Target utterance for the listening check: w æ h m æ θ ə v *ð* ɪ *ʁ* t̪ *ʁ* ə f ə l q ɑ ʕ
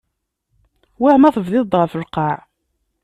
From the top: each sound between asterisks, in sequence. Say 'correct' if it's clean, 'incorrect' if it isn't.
correct, incorrect: ð, correct

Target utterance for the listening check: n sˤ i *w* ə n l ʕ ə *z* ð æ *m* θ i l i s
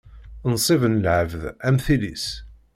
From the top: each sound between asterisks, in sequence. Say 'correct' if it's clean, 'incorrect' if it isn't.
incorrect: v, incorrect: v, correct

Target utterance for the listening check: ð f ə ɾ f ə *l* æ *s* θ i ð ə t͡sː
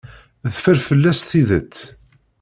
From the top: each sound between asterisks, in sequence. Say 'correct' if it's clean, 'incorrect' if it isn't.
incorrect: lː, correct

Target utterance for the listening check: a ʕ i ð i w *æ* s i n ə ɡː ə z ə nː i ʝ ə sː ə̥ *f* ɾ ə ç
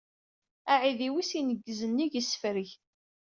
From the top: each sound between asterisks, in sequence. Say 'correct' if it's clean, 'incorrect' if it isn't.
incorrect: i, correct

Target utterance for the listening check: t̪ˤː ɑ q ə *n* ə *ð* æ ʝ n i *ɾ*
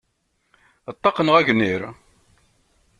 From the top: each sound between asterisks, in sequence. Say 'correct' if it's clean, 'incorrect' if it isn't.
correct, incorrect: ʁ, correct

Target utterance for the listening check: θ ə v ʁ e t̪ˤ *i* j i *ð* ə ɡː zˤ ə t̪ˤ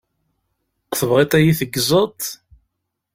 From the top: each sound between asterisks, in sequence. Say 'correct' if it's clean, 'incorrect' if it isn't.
incorrect: æ, incorrect: θ

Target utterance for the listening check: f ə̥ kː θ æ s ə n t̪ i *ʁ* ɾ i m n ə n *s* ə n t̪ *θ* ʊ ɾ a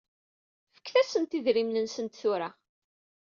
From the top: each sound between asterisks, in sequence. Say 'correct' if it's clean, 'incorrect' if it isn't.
incorrect: ð, correct, correct

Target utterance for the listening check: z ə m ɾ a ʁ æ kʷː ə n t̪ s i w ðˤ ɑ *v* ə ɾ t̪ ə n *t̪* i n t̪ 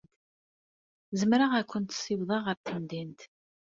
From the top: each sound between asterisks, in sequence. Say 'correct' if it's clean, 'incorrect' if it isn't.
incorrect: ʁ, incorrect: d̪

